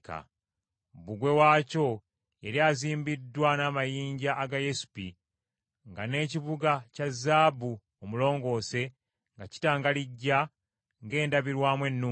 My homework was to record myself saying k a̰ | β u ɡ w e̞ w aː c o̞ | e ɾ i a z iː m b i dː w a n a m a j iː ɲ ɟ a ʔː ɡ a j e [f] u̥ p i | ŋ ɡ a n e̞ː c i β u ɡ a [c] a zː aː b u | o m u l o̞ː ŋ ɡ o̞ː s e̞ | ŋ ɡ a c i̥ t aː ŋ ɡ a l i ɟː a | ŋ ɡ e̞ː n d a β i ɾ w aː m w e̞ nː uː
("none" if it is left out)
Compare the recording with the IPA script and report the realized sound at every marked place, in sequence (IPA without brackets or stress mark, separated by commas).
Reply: s, c